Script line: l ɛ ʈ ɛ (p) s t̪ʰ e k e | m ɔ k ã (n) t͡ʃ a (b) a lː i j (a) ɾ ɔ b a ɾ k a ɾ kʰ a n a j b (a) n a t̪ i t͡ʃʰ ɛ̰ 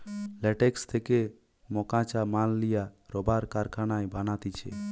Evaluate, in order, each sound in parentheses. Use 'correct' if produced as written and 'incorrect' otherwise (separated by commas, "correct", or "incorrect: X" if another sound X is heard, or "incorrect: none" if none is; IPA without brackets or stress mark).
incorrect: k, incorrect: none, incorrect: m, correct, correct